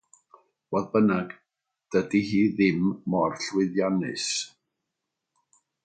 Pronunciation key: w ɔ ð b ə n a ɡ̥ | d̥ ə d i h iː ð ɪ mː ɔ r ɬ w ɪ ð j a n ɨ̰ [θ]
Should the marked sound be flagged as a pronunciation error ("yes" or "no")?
yes